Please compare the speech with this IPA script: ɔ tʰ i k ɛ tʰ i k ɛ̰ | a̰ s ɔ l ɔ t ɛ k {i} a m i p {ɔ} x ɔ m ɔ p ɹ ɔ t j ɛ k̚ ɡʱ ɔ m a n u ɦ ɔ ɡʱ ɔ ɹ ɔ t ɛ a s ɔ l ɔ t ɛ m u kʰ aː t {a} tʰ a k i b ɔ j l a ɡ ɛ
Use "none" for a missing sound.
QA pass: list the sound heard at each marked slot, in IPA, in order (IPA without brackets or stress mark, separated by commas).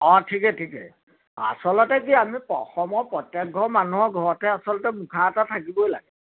i, ɔ, a